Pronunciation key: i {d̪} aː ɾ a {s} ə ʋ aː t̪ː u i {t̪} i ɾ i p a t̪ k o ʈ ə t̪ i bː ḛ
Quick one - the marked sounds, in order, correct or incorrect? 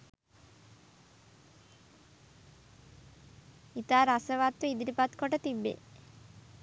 incorrect, correct, incorrect

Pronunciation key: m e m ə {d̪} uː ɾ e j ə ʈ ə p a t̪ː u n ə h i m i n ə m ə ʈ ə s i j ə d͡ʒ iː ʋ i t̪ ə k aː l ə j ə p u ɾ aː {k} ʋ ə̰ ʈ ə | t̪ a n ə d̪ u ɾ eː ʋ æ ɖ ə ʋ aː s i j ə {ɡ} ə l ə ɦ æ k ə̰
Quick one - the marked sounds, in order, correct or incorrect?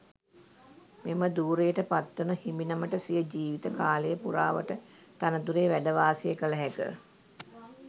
correct, incorrect, incorrect

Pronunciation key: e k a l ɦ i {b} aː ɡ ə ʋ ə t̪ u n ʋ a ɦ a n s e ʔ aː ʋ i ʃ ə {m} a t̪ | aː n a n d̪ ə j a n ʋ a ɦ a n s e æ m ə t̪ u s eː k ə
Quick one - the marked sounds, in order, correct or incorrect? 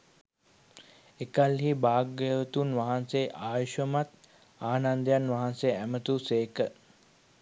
correct, correct

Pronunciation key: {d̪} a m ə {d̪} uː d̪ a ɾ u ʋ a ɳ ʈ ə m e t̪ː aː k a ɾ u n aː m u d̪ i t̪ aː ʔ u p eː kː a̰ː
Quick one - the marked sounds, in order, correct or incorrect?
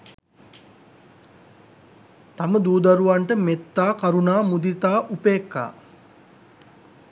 incorrect, correct

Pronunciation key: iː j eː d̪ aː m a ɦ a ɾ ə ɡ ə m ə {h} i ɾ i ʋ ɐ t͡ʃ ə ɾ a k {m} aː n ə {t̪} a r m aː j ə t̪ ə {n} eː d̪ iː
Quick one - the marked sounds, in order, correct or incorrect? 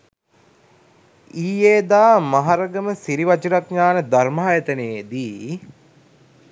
incorrect, incorrect, incorrect, correct

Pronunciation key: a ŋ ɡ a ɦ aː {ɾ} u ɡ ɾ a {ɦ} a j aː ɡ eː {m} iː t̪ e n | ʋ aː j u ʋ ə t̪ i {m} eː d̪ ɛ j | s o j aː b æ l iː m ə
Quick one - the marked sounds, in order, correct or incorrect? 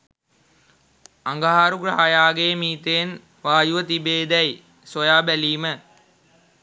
correct, correct, correct, incorrect

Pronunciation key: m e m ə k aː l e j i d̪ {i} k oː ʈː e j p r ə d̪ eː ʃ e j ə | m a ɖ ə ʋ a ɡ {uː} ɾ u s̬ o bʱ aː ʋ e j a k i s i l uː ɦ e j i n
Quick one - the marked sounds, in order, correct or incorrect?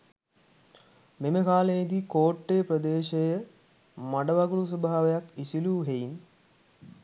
correct, incorrect

